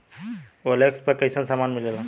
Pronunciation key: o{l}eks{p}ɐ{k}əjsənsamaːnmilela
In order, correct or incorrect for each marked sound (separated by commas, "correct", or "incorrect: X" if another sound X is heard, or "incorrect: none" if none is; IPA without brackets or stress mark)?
correct, correct, correct